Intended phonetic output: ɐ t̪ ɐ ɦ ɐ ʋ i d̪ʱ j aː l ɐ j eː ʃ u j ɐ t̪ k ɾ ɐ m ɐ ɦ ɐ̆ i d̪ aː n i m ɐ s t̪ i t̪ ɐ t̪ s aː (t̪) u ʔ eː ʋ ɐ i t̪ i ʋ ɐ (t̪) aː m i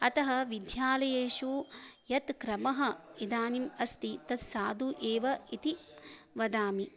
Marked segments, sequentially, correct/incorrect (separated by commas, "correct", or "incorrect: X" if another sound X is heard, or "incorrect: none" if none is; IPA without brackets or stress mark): incorrect: d̪, incorrect: d̪